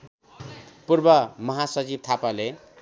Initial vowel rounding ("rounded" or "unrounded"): rounded